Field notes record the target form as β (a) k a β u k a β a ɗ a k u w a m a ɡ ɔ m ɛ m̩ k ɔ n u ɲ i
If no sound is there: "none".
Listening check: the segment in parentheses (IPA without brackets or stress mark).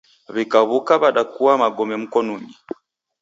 i